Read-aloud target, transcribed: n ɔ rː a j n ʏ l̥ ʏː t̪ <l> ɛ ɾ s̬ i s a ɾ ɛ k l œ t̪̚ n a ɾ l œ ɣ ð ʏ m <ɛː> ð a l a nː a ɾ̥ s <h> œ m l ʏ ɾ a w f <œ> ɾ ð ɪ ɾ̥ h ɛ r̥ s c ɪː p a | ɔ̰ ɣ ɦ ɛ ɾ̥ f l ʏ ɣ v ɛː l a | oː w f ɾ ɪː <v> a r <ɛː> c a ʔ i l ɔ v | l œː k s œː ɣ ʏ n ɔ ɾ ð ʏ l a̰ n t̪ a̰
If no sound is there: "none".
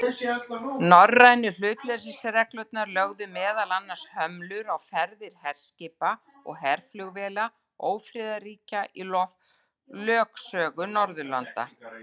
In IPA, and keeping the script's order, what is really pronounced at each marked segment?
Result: l, ɛː, h, ɛ, ð, iː

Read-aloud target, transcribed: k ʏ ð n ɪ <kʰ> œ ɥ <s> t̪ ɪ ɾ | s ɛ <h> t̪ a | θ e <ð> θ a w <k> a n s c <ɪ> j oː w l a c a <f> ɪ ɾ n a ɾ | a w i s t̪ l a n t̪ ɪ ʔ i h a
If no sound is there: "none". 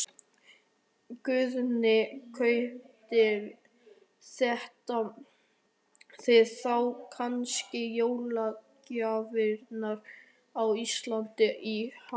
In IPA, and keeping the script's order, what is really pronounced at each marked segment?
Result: kʰ, h, h, ð, kʰ, ɪ, v

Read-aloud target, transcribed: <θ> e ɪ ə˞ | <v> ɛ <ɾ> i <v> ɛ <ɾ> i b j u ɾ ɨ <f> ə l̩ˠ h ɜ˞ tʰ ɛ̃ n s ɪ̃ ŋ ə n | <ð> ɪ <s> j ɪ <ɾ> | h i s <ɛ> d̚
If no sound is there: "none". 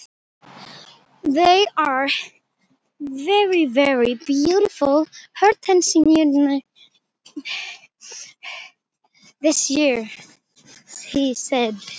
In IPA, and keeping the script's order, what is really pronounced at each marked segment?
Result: ð, v, ɹ, v, ɹ, f, ð, s, ɹ, ɛ

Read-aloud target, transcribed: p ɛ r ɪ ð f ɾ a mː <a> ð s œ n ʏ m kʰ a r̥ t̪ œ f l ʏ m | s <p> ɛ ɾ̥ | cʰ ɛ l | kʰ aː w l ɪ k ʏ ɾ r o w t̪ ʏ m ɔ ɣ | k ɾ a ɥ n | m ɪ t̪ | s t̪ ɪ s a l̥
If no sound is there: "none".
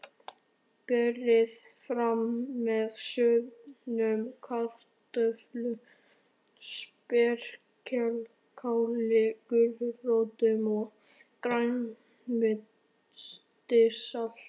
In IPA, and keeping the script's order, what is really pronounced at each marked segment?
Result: ɛ, p

